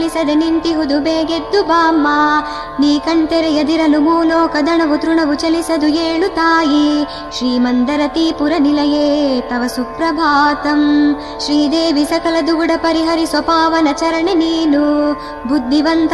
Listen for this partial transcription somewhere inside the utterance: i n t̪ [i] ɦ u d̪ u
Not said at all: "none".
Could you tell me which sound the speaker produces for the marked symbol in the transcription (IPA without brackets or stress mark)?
i